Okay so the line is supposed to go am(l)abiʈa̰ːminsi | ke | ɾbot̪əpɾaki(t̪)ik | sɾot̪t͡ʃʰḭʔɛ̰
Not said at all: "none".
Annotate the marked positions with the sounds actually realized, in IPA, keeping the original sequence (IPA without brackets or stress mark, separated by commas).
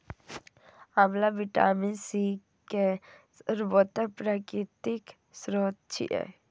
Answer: l, t̪